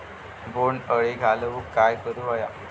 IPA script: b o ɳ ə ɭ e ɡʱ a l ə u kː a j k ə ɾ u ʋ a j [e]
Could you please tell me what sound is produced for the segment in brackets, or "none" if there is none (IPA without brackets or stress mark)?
a